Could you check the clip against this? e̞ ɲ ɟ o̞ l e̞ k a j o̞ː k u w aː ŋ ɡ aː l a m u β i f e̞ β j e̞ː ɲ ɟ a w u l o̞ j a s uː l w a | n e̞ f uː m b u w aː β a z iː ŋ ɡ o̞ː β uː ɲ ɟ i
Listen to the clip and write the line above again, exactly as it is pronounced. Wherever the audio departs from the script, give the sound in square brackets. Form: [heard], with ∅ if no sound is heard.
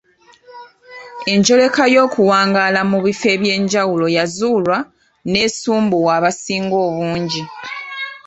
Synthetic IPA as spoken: e̞ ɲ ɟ o̞ l e̞ k a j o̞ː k u w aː ŋ ɡ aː l a m u β i f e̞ β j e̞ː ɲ ɟ a w u l o̞ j a [z] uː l w a | n e̞ [s] uː m b u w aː β a [s] iː ŋ ɡ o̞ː β uː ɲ ɟ i